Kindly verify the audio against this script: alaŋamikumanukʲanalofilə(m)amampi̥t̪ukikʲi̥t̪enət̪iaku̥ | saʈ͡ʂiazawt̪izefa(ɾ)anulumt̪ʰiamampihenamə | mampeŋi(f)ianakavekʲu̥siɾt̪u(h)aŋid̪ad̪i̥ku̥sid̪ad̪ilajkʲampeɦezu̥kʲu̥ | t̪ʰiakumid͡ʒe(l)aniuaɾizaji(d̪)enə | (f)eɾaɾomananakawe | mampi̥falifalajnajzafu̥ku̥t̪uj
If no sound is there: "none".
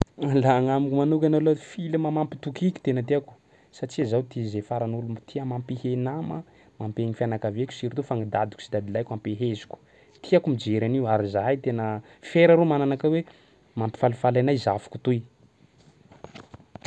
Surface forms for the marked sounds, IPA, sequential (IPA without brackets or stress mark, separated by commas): m, ɾ, f, f, ɾ, t̪, f